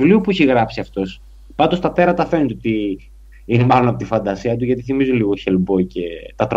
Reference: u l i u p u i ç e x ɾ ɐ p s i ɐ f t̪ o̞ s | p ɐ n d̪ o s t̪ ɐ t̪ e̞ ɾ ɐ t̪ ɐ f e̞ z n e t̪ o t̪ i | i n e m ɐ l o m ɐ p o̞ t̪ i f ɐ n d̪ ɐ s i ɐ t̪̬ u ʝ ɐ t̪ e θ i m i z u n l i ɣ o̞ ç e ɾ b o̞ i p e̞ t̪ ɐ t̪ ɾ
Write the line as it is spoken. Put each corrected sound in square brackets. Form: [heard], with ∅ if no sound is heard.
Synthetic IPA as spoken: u l i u p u i ç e [ɣ] ɾ ɐ p s i ɐ f t̪ o̞ s | p ɐ n d̪ o s t̪ ɐ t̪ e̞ ɾ ɐ t̪ ɐ f e̞ [∅] n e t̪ o t̪ i | i n e m ɐ l o [n] ɐ p o̞ t̪ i f ɐ n d̪ ɐ s i ɐ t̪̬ u ʝ ɐ t̪ [i] θ i m i z u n l i ɣ o̞ ç e [l] b o̞ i [c] e̞ t̪ ɐ t̪ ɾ